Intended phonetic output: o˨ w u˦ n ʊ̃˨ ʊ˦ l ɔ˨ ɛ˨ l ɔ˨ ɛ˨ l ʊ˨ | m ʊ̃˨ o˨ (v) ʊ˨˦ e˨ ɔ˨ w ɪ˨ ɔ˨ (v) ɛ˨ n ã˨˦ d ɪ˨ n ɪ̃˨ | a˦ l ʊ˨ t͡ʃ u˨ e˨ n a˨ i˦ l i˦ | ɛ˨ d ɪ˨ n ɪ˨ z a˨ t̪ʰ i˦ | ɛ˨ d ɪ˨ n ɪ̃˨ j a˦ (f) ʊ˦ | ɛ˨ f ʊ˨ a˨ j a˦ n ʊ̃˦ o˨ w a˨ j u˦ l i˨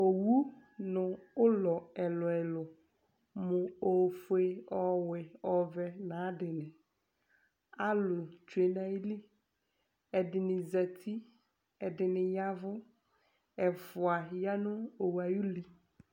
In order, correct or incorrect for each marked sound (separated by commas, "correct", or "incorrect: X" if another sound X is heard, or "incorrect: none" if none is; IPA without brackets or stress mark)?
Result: incorrect: f, correct, incorrect: v